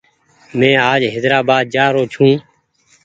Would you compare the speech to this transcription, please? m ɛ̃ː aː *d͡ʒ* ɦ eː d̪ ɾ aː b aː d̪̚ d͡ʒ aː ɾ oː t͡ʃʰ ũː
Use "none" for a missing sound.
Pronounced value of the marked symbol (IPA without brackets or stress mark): d͡ʒ